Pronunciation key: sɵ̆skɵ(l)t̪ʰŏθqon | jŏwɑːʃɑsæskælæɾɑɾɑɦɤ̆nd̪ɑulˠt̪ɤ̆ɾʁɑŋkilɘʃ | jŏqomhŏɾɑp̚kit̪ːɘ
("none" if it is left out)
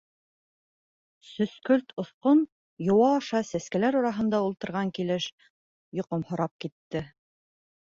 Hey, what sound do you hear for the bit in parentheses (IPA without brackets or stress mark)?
l